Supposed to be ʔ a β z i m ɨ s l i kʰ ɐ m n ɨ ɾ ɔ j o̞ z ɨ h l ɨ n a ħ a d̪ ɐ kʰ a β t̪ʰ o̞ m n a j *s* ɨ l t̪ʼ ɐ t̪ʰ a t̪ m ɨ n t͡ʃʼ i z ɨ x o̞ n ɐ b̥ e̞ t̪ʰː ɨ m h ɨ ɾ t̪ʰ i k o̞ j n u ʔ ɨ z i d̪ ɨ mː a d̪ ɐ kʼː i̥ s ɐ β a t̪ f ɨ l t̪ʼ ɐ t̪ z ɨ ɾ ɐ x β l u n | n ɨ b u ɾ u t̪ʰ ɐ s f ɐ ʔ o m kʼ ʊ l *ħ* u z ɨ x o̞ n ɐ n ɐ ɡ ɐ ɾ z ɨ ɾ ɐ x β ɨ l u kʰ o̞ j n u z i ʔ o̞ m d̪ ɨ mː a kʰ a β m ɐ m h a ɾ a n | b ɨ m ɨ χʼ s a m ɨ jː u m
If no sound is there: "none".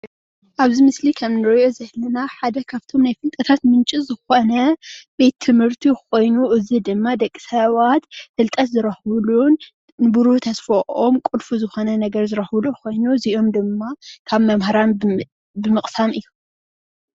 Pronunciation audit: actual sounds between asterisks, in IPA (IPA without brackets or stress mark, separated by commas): f, f